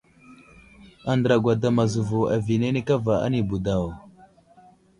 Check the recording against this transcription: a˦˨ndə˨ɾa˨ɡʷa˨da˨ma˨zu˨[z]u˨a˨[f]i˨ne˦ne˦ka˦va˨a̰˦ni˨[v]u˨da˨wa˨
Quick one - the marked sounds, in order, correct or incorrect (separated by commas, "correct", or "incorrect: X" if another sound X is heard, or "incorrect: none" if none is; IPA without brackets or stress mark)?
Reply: incorrect: v, incorrect: v, incorrect: b